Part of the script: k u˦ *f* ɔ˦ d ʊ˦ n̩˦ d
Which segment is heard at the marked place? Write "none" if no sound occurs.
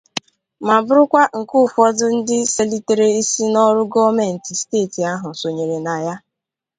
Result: f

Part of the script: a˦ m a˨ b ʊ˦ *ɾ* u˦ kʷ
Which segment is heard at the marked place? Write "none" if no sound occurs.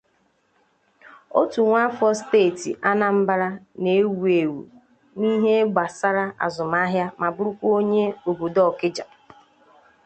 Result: ɾ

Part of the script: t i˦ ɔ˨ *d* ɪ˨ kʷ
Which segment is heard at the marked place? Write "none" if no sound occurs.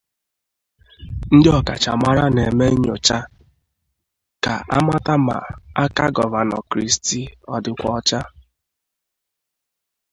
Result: d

